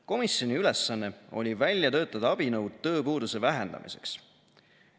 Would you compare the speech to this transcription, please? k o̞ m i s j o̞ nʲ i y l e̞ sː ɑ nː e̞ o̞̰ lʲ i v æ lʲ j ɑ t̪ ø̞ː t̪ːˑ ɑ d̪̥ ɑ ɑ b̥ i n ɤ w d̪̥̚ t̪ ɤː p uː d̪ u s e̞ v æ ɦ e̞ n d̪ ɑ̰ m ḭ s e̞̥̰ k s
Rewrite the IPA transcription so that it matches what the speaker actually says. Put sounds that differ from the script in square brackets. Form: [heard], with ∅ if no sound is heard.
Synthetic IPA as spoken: k o̞ m i s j o̞ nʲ i y l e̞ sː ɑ nː e̞ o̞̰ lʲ i v æ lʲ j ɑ t̪ ø̞ː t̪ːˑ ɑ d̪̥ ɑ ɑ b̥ i n ɤ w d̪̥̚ t̪ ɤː p uː d̪ u s e̞ v æ ɦ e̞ n d̪ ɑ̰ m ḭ s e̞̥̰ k s